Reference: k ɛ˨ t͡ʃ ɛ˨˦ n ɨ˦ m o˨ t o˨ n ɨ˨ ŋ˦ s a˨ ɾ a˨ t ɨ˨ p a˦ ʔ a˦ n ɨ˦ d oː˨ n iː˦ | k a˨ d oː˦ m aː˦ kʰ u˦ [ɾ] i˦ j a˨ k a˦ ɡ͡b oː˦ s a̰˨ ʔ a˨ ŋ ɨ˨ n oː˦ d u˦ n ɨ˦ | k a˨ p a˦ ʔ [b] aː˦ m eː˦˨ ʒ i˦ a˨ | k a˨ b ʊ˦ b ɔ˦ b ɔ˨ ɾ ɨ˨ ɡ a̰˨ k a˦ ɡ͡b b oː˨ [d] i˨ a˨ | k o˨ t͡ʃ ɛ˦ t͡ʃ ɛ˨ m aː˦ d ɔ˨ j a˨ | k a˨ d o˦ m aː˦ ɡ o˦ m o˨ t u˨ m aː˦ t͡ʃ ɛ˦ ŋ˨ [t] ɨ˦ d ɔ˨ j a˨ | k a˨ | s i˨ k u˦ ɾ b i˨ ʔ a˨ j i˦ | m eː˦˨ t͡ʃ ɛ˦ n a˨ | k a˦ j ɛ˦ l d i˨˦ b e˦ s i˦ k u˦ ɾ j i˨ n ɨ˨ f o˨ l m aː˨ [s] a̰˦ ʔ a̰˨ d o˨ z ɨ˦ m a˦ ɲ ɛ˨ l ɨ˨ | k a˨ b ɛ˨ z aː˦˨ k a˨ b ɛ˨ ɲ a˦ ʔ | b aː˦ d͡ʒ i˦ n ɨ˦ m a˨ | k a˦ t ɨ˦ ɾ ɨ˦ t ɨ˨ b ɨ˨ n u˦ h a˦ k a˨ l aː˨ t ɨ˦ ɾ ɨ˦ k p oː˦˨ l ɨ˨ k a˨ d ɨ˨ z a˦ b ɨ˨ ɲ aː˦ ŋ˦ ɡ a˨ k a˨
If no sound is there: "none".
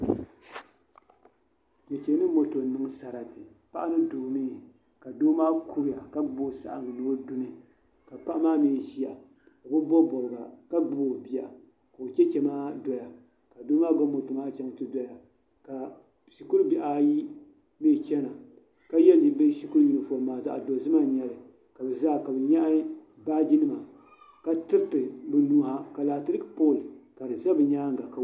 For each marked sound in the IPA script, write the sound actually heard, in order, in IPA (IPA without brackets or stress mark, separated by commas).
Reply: ɾ, m, b, t, z